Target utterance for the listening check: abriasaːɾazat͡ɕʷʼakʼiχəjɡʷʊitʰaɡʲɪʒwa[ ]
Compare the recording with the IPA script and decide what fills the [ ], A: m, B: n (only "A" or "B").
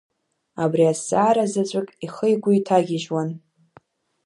B